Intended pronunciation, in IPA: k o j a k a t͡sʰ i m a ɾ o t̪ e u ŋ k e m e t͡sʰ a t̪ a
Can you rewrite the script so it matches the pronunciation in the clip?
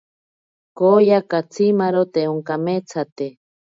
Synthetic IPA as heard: k o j a k a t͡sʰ i m a ɾ o t̪ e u ŋ k a m e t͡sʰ a t̪ e